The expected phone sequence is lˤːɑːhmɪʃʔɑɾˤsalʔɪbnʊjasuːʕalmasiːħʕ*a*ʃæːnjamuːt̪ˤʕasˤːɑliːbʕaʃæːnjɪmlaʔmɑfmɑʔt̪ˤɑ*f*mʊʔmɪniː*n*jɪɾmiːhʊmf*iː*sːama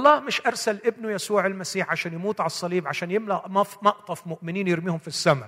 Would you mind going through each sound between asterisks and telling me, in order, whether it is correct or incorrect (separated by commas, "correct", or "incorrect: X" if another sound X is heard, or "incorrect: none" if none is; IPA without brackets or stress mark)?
correct, correct, correct, incorrect: i